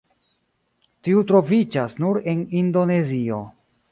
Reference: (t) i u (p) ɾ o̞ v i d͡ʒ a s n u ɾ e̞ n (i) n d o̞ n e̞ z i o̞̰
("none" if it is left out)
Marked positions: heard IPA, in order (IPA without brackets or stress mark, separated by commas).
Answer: t, t, i